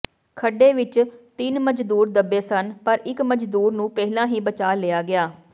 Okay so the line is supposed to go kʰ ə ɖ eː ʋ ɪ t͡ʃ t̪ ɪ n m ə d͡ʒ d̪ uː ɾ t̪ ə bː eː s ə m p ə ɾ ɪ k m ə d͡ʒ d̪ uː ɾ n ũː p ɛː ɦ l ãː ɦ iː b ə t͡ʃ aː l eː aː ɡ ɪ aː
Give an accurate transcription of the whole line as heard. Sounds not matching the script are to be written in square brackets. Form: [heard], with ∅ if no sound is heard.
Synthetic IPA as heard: kʰ ə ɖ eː ʋ ɪ t͡ʃ t̪ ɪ n m ə d͡ʒ d̪ uː ɾ [d̪] ə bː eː s ə [n] p ə ɾ ɪ k m ə d͡ʒ d̪ uː ɾ n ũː p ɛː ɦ l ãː ɦ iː b ə t͡ʃ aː l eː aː ɡ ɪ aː